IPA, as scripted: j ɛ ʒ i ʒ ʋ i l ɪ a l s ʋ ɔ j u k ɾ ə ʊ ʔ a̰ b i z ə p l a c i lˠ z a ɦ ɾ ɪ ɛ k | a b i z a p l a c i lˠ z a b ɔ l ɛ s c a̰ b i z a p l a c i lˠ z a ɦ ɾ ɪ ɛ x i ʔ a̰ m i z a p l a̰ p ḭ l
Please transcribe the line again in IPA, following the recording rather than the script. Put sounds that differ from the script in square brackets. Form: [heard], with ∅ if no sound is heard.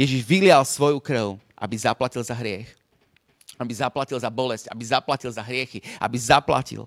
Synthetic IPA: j ɛ ʒ i ʒ ʋ i l ɪ a l s ʋ ɔ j u k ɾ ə ʊ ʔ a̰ b i z [a] p l a c i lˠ z a ɦ ɾ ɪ ɛ [x] | a b i z a p l a c i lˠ z a b ɔ l ɛ s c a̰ b i z a p l a c i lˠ z a ɦ ɾ ɪ ɛ x i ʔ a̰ [b] i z a p l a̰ [c] ḭ l